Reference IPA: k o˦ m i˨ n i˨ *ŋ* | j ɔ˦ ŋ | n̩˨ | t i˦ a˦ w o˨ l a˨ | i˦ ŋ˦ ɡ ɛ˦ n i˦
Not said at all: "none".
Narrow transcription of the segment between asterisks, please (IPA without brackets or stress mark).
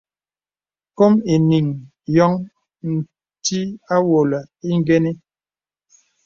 ŋ